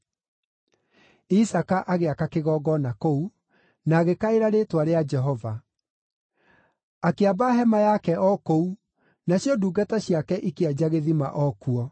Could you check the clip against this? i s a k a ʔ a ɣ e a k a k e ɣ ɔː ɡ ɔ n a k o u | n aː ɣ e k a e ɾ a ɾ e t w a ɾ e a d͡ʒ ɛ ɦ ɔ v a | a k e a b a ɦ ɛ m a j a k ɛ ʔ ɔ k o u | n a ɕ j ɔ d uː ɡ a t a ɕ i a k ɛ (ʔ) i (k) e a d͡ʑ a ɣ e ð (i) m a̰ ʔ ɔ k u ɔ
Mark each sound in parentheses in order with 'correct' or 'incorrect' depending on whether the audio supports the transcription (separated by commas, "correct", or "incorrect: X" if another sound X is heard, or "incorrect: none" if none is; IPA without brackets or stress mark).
correct, correct, correct